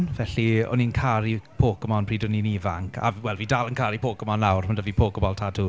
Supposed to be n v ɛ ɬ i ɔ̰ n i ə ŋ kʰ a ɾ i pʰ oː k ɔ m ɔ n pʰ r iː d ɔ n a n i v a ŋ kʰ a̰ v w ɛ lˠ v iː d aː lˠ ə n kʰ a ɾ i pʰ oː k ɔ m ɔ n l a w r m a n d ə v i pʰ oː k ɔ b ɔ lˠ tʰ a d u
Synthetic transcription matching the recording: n v ɛ ɬ i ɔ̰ n i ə n kʰ a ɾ i pʰ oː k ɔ m ɔ n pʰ r iː d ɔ n i n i v a ŋ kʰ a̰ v w ɛ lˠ v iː d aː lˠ ə n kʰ a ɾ i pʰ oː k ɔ m ɔ n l a w r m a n d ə v i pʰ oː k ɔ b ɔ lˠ tʰ a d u